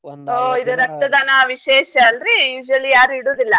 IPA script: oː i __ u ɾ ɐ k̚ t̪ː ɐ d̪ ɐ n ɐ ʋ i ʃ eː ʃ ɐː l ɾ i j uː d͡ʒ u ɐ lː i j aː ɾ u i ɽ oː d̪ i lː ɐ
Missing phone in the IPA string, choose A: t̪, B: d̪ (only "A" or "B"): B